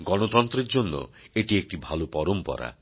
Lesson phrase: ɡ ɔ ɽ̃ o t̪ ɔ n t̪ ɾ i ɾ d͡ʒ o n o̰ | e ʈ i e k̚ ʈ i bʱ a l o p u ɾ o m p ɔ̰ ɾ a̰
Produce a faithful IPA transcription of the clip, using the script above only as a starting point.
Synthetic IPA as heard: ɡ ɔ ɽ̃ o t̪ ɔ n t̪ ɾ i ɾ d͡ʒ o nː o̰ | e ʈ i e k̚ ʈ i bʱ a l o p ɔ ɾ o m p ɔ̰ ɾ a̰